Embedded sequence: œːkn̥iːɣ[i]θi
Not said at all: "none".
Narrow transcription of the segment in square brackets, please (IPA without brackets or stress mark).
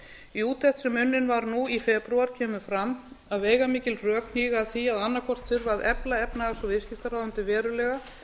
a